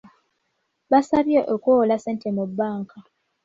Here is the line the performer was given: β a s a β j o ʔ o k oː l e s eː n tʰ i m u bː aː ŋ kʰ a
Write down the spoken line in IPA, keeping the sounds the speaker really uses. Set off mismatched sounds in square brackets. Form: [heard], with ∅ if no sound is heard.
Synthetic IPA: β a s a β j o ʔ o k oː l [a] s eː n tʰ [e] m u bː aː ŋ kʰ a